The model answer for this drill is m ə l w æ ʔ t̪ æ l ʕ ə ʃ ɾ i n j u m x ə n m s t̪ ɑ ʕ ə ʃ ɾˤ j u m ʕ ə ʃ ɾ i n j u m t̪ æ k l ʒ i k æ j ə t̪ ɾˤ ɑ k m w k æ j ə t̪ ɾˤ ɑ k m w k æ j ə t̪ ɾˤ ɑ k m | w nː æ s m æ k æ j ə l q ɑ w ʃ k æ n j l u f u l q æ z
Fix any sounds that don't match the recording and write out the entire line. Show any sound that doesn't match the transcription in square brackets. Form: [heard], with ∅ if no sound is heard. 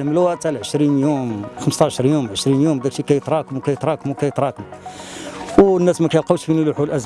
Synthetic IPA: m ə l w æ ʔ t̪ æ l ʕ ə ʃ ɾ i n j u m x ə [∅] m s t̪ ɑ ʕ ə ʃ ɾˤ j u m ʕ ə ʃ ɾ i n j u m [d̪] æ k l [ʃ] i k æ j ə t̪ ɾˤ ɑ k m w k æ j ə t̪ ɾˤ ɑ k m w k æ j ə t̪ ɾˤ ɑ k m | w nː æ s m æ k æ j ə l q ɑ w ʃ k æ n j l u [ħ] u l [ʔ] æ z